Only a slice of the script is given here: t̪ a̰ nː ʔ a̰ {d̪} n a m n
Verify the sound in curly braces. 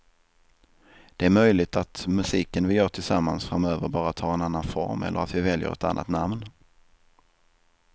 incorrect: t̪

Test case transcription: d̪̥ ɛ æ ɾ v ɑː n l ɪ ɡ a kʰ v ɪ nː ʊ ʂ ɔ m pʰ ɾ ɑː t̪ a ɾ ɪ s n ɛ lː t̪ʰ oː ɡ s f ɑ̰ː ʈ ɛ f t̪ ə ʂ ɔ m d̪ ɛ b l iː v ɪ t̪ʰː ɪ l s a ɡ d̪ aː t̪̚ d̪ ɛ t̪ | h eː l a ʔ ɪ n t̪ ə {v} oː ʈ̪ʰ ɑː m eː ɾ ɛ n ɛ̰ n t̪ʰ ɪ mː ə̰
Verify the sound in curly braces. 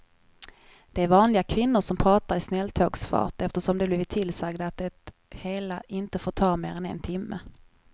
incorrect: f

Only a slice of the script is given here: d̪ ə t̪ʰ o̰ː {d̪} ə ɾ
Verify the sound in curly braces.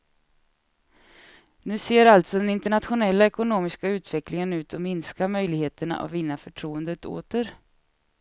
incorrect: t̪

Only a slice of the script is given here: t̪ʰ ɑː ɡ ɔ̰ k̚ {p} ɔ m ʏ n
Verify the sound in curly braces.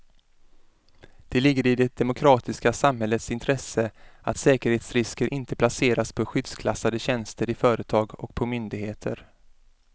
incorrect: pʰ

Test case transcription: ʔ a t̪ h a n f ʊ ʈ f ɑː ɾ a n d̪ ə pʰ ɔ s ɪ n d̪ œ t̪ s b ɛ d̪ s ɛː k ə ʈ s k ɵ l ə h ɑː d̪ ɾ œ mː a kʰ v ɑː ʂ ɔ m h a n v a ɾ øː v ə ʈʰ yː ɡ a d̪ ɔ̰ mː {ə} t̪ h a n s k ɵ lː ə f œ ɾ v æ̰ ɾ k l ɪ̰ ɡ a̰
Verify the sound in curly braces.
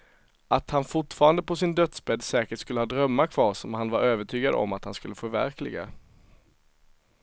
incorrect: a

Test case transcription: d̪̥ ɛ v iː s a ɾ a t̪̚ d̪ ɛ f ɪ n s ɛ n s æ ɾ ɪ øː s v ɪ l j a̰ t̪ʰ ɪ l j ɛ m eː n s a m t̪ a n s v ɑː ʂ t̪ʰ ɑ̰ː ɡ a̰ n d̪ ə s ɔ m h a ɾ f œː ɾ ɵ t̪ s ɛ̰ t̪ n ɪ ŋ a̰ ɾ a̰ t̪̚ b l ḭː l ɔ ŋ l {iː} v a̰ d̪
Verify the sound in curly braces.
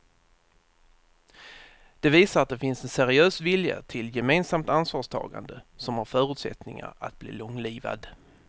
correct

